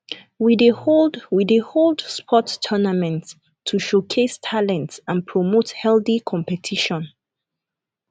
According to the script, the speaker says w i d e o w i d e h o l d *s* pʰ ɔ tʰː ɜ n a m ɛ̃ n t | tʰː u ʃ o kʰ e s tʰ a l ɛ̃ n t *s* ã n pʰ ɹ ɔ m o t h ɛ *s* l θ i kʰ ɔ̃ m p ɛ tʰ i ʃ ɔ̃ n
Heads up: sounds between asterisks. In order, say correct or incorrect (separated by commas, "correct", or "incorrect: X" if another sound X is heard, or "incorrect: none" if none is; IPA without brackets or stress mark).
correct, correct, incorrect: none